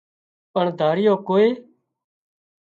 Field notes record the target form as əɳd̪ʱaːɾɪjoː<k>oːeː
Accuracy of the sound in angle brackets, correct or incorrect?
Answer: correct